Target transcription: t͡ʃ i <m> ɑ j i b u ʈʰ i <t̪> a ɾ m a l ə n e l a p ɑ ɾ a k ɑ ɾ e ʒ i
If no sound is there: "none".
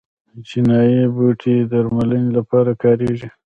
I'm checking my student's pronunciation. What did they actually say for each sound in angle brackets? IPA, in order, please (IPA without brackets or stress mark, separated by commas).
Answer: n, d̪